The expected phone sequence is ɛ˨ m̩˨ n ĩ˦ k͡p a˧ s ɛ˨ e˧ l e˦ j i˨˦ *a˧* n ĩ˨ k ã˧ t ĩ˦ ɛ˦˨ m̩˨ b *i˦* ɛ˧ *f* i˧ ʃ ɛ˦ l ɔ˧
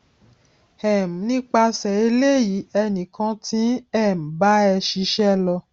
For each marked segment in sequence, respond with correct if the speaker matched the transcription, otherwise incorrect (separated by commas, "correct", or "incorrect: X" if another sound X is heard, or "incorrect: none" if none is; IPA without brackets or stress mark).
incorrect: ɛ˧, incorrect: a˦, incorrect: ʃ